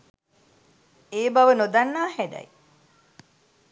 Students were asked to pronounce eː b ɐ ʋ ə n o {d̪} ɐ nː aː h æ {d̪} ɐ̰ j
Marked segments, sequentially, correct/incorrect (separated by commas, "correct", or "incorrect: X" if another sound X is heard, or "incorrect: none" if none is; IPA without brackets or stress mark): correct, correct